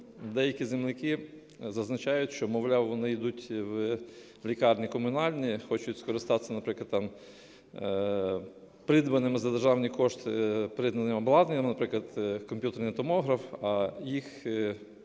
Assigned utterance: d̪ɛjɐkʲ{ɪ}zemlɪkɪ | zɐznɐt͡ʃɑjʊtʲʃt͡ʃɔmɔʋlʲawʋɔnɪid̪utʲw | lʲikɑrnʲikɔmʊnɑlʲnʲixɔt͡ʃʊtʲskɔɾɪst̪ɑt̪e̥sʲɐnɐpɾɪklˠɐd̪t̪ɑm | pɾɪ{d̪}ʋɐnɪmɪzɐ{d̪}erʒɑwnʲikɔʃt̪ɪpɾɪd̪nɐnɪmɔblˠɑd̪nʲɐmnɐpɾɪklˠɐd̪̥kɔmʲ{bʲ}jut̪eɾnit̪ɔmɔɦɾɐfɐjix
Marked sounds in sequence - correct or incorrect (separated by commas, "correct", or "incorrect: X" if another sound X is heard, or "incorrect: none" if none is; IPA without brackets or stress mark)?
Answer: incorrect: i, correct, correct, incorrect: pʲ